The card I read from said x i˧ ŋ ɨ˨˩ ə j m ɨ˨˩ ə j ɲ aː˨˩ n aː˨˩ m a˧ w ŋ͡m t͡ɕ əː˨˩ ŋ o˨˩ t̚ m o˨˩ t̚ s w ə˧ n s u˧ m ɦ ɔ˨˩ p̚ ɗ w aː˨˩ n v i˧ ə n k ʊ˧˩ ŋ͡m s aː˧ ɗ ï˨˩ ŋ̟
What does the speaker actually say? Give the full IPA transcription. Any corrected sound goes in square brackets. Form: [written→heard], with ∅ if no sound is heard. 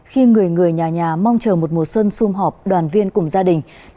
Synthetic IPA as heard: x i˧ ŋ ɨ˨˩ ə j [m→ŋ] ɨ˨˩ ə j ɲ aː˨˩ [n→ɲ] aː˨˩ m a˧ w ŋ͡m t͡ɕ əː˨˩ [ŋ→m] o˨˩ t̚ m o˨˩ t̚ s w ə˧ n s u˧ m ɦ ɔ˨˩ p̚ ɗ w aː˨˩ n v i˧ ə n k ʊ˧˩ ŋ͡m [s→z] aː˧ ɗ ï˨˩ ŋ̟